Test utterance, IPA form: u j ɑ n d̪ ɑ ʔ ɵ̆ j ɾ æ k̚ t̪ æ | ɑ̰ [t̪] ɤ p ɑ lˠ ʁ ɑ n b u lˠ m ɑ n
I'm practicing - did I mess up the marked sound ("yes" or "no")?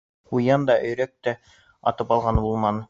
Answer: no